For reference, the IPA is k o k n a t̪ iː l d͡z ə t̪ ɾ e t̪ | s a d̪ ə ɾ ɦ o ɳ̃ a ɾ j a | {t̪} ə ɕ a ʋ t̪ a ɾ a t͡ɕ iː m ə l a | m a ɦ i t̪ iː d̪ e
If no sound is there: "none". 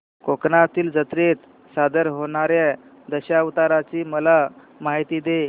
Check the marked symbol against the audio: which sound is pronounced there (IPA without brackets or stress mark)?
d̪